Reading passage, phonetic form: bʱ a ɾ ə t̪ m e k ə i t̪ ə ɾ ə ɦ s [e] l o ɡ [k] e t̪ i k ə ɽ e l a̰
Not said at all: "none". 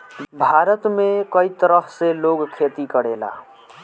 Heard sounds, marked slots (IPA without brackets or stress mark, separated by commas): e, kʰ